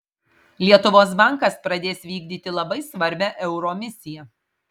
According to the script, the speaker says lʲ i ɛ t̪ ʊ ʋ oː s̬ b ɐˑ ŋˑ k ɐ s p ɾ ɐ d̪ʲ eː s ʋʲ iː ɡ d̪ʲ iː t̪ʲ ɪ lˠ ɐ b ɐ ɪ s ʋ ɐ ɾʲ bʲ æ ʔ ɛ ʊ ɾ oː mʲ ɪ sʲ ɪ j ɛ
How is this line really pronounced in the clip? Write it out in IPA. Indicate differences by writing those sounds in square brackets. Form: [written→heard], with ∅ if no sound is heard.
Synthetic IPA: lʲ i ɛ t̪ ʊ ʋ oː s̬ b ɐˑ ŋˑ k ɐ s p ɾ ɐ d̪ʲ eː s ʋʲ iː ɡ d̪ʲ iː t̪ʲ ɪ lˠ ɐ b ɐ ɪ s ʋ ɐ ɾʲ bʲ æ ʔ ɛ ʊ ɾ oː mʲ ɪ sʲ ɪ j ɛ